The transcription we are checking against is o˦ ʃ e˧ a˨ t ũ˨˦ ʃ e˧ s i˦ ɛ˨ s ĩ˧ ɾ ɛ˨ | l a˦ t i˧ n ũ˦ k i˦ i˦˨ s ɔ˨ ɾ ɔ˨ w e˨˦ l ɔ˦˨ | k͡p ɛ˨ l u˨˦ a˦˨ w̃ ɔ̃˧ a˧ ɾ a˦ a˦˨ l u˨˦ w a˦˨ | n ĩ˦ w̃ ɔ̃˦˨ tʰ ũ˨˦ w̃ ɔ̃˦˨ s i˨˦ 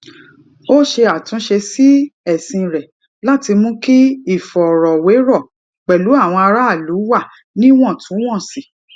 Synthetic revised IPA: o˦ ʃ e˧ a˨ t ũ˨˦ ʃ e˧ s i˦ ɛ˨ s ĩ˧ ɾ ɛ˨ | l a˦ t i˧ m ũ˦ k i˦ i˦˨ f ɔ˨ ɾ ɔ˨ w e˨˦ ɾ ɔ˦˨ | k͡p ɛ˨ l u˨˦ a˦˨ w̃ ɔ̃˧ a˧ ɾ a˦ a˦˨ l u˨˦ w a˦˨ | n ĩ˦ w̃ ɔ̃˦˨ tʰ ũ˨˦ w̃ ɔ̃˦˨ s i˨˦